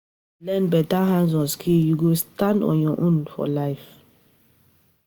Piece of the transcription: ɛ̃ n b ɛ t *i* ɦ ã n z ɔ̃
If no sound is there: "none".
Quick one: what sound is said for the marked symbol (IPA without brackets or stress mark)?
a